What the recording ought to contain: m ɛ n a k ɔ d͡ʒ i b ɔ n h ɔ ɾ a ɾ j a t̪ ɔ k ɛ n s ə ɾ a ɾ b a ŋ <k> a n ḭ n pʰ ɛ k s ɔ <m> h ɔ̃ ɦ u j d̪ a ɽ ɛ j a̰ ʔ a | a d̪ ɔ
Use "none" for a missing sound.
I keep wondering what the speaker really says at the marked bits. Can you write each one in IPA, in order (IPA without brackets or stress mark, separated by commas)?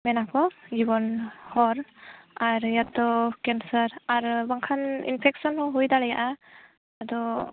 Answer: kʰ, n